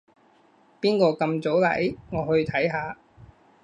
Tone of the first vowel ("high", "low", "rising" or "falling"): high